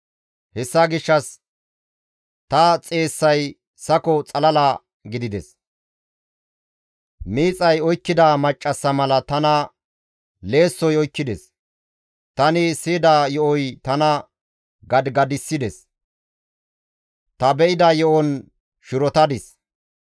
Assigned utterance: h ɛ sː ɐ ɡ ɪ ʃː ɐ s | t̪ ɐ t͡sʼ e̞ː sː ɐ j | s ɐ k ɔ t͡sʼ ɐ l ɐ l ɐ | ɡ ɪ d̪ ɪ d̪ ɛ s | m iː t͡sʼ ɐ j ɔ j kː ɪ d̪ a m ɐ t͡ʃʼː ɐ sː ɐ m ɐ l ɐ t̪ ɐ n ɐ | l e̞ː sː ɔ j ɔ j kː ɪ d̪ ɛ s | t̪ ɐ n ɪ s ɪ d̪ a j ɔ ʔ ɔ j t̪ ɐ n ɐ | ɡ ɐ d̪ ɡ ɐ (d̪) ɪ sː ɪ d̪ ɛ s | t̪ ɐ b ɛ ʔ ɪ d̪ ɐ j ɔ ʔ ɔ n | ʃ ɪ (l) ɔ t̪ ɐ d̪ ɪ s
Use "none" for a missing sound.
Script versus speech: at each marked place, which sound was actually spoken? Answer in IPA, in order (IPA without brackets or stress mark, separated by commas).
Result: d̪, ɾ